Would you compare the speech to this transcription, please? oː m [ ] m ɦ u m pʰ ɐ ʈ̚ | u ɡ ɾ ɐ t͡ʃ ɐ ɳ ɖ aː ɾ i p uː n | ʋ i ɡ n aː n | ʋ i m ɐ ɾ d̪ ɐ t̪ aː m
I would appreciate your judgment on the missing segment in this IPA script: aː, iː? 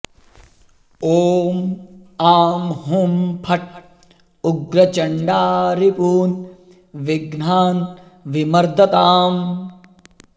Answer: aː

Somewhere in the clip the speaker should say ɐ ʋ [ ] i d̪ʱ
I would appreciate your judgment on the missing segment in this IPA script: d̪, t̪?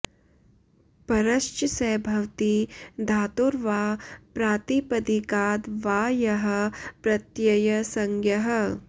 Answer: t̪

